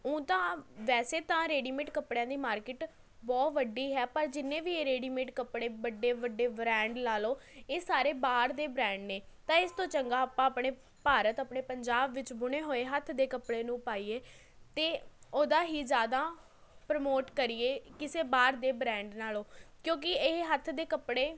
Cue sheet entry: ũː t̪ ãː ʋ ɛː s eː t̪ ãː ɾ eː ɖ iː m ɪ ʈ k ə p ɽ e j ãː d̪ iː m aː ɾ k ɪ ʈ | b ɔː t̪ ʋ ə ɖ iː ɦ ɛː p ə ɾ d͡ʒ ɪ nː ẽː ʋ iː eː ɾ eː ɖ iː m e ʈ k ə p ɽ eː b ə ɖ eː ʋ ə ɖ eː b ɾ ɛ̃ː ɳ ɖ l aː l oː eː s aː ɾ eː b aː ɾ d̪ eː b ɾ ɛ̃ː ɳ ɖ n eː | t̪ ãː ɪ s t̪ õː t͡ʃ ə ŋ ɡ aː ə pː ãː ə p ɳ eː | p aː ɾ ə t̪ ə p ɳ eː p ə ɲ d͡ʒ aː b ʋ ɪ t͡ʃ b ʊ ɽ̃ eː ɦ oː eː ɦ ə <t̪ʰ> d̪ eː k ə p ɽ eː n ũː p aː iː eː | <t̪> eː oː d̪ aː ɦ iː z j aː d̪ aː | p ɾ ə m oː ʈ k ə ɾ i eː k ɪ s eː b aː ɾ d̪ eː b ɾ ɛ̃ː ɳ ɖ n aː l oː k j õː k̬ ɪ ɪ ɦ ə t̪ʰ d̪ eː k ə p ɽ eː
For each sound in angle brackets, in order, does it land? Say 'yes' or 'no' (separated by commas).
yes, yes